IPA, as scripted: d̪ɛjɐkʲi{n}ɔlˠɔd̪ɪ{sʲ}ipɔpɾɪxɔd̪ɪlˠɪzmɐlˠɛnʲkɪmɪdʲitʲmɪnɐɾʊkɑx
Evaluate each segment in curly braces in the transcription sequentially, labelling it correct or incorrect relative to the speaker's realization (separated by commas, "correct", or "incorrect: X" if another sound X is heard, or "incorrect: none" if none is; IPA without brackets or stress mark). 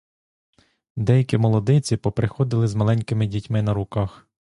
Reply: incorrect: m, incorrect: t͡sʲ